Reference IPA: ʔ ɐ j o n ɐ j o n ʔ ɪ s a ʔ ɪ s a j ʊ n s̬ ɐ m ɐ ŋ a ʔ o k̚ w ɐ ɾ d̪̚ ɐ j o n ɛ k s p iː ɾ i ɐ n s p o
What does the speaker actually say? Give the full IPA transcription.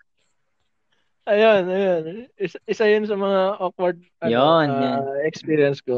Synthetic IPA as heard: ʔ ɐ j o n ɐ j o n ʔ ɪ s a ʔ ɪ s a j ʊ n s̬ ɐ m ɐ ŋ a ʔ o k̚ w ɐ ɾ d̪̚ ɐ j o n ɛ k s p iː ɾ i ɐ n s k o